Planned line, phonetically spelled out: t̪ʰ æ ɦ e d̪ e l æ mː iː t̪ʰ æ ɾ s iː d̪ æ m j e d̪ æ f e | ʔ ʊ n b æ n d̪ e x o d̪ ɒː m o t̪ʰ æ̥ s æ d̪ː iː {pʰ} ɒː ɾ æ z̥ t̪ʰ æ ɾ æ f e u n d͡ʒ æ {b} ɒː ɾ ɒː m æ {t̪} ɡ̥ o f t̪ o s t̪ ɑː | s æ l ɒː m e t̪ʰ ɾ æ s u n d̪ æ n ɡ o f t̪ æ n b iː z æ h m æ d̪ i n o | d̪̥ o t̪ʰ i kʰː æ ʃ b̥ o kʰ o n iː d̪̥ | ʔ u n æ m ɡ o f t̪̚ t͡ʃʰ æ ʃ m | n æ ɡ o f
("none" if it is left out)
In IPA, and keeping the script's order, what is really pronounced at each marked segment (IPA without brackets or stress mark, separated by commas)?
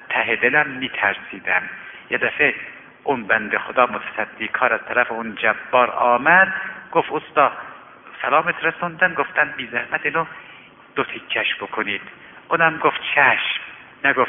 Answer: kʰ, bː, d̪